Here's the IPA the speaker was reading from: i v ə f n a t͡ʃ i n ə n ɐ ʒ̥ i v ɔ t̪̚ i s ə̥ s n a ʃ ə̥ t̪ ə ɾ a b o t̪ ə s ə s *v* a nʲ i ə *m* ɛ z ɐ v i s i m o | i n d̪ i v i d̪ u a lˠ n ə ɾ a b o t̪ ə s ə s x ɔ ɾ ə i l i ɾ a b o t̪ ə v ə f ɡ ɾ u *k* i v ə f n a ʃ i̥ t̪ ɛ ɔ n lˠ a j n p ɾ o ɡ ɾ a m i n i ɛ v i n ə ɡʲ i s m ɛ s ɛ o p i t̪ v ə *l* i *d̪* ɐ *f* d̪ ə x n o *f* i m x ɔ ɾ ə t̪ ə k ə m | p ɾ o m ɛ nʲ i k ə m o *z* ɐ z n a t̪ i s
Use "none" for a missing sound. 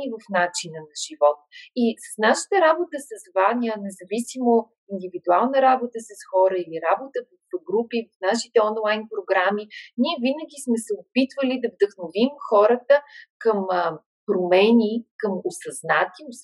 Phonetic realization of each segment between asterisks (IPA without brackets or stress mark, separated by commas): v, n, p, l, d̪, v, v, s